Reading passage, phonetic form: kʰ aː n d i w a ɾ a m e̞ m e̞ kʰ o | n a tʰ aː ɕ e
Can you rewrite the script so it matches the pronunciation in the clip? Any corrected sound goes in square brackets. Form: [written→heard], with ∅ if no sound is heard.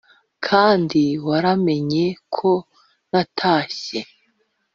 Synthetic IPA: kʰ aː n d i w a ɾ a m e̞ [m→ɲ] e̞ kʰ o | n a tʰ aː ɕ e